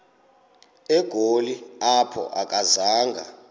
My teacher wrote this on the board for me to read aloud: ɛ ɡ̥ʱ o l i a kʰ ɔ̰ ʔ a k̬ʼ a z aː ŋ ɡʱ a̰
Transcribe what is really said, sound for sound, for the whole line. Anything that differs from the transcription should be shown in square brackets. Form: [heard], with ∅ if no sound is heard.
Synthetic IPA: ɛ ɡ̥ʱ o l i a [pʰ] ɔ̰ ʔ a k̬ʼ a z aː ŋ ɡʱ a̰